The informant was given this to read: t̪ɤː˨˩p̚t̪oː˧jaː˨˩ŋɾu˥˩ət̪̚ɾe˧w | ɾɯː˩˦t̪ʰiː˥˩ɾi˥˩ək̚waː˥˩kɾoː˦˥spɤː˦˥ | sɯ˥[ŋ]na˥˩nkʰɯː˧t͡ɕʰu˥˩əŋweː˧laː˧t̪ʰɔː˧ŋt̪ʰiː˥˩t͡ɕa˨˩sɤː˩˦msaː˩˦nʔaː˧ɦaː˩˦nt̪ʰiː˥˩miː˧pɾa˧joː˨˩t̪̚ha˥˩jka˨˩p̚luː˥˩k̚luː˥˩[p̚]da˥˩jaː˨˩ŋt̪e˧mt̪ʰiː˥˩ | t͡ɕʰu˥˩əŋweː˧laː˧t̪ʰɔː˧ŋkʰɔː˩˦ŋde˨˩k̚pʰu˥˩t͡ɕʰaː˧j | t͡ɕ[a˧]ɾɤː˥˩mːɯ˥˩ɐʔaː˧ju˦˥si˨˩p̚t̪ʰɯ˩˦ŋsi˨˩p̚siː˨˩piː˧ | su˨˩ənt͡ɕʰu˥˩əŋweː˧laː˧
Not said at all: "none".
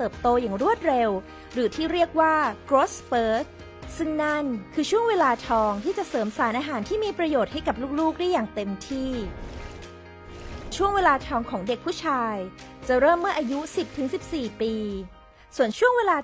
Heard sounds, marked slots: ŋ, k̚, a˨˩

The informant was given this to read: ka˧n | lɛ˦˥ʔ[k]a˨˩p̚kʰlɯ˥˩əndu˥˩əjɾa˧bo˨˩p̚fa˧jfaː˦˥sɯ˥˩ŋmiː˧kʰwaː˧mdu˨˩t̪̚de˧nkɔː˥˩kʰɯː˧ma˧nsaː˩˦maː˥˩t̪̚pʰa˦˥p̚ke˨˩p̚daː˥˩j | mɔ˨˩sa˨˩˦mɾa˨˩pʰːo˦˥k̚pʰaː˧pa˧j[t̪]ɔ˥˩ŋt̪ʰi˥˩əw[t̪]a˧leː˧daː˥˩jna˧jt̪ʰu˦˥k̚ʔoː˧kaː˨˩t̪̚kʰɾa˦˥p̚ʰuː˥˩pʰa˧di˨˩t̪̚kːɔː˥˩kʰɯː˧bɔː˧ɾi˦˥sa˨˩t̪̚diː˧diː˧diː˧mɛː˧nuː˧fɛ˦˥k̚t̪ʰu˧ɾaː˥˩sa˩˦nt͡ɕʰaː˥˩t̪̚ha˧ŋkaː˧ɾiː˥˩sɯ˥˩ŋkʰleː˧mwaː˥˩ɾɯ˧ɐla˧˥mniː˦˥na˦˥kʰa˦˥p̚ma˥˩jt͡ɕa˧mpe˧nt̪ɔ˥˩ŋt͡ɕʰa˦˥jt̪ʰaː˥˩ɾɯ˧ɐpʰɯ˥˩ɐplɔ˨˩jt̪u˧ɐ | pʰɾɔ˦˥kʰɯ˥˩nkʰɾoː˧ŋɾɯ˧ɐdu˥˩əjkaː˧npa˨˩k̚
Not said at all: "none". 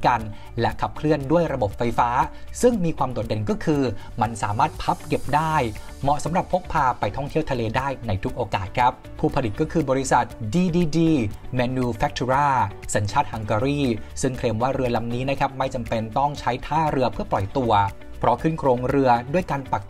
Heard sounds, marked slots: kʰ, t̪ʰ, t̪ʰ

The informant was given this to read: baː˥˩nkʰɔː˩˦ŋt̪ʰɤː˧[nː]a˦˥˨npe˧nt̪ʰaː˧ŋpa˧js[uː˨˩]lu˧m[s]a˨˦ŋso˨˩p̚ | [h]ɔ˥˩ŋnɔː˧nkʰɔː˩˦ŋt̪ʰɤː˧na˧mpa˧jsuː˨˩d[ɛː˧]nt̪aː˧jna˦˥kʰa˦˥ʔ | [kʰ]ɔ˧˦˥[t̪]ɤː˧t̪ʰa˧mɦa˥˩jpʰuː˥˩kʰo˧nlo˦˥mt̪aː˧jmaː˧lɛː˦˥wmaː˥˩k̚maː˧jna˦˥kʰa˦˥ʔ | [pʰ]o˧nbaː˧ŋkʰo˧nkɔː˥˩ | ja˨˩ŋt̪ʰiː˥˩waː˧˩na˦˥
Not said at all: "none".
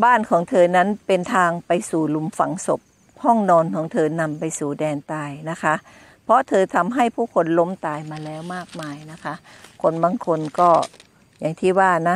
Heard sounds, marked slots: n, uː˨˩, f, h, ɛː˧, pʰ, t̪ʰ, kʰ

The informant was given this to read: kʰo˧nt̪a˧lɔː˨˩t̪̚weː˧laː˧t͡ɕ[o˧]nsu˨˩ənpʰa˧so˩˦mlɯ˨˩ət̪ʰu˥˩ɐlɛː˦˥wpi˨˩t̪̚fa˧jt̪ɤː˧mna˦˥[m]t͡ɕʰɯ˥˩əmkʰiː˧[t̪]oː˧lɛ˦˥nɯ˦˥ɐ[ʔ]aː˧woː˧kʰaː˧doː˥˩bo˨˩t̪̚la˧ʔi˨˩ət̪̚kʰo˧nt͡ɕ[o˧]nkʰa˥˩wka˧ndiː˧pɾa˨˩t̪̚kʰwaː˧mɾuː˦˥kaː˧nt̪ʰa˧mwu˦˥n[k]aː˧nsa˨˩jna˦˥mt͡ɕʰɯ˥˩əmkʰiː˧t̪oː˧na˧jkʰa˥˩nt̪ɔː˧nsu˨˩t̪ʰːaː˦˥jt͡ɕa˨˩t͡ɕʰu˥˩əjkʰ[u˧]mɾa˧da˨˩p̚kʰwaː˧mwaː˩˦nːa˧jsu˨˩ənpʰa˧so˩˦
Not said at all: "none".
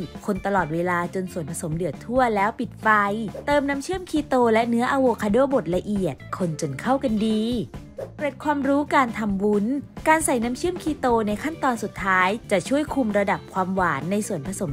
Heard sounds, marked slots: o˧, m, t̪, ʔ, o˧, k, u˧

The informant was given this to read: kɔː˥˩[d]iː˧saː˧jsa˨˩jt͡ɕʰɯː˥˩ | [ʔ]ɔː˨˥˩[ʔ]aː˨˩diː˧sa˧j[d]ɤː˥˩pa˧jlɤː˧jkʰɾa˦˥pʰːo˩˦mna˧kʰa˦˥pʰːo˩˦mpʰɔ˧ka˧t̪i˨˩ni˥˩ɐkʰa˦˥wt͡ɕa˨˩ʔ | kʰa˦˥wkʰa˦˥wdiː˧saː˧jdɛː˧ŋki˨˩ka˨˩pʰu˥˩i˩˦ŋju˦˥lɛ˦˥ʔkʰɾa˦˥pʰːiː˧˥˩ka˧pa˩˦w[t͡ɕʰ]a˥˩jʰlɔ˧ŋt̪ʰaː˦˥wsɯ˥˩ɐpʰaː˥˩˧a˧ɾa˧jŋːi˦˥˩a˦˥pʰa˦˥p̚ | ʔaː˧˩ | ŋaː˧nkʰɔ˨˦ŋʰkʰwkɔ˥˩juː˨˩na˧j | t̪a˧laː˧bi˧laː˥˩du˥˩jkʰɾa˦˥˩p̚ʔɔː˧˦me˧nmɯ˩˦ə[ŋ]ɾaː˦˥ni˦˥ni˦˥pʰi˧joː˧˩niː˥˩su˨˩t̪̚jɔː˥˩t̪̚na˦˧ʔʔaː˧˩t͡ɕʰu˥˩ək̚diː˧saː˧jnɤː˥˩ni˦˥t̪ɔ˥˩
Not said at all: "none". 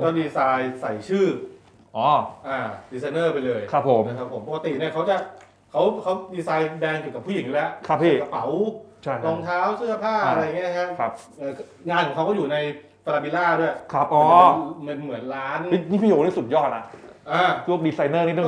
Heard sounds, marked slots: d, ʔ, ʔ, n, t͡ɕʰ, n

